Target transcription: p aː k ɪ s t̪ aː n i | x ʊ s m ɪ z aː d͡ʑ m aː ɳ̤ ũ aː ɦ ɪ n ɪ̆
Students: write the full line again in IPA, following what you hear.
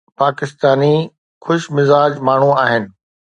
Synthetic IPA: p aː k ɪ s t̪ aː n i | x ʊ ʃ m ɪ z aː d͡ʑ m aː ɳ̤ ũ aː ɦ ɪ n ɪ̆